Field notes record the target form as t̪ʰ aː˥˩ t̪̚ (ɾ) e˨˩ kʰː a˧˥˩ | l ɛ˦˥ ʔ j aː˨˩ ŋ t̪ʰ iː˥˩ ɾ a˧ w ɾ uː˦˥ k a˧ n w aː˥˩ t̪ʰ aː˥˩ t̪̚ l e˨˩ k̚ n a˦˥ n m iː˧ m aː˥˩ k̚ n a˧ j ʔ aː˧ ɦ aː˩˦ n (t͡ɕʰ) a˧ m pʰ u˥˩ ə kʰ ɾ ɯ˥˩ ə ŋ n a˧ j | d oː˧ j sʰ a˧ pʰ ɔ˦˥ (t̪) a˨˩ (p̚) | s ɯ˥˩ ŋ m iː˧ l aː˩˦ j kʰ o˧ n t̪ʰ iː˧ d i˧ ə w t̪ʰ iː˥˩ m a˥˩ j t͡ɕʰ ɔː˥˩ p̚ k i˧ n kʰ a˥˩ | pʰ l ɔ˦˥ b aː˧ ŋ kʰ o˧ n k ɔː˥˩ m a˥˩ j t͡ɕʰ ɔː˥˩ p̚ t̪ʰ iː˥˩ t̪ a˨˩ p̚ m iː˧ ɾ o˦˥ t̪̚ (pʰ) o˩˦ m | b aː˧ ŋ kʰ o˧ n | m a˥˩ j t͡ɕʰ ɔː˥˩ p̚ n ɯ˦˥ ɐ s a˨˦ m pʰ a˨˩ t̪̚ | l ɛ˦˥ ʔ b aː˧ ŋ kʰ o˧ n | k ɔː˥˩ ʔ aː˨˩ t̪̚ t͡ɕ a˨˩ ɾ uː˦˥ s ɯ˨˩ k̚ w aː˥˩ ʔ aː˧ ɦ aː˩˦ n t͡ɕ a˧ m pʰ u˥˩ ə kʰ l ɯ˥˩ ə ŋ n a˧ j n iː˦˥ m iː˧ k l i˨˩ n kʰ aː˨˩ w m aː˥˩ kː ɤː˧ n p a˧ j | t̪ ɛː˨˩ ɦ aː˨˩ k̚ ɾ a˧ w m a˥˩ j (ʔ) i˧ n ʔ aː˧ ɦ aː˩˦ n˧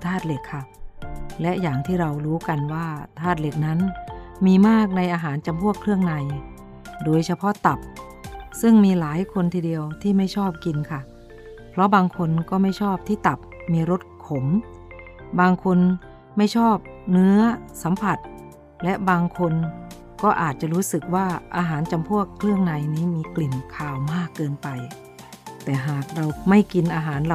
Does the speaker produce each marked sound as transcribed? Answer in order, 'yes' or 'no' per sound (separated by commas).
no, no, yes, yes, no, no